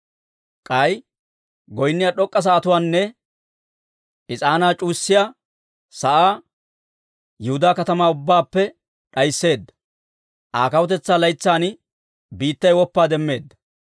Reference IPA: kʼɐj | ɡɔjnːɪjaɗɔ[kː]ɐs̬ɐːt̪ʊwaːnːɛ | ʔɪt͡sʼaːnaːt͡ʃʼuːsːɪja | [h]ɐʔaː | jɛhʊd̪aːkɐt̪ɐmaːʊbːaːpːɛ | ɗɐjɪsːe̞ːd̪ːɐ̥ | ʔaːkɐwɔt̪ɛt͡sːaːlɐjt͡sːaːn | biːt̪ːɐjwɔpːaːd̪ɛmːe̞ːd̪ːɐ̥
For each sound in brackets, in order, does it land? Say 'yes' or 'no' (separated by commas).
no, no